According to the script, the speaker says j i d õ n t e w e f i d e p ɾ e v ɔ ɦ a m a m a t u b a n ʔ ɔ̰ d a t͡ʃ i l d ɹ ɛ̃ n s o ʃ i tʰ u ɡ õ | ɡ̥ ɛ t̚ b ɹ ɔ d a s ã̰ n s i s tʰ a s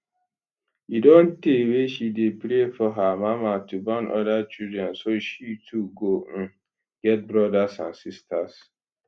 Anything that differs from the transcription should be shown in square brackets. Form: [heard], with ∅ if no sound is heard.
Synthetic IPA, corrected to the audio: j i d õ n t e w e [ʃ] i d e p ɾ e [f] ɔ ɦ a m a m a t u b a n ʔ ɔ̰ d a t͡ʃ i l d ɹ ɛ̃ n s o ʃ i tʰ u ɡ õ | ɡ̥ ɛ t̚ b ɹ ɔ d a s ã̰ n s i s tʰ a s